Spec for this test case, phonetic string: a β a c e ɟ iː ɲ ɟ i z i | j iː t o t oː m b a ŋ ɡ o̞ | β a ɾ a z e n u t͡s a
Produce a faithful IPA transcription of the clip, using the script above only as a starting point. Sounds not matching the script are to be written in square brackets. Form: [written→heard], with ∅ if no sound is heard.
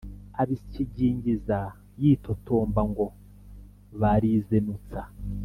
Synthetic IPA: a β [a→i] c [e→i] ɟ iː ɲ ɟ i z [i→a] | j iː t o t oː m b a ŋ ɡ o̞ | β a ɾ [a→i] z e n u t͡s a